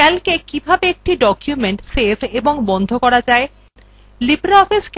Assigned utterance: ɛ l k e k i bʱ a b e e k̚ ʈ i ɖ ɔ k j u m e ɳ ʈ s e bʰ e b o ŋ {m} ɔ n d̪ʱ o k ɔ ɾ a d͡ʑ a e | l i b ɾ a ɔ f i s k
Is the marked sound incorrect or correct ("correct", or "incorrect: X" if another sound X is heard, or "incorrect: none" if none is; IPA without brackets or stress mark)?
incorrect: b